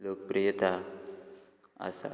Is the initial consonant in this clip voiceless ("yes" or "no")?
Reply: no